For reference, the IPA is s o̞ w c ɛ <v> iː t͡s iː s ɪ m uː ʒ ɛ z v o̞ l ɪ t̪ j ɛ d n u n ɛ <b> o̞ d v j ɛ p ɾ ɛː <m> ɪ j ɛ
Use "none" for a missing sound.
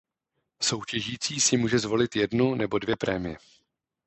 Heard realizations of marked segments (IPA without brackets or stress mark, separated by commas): ʒ, b, m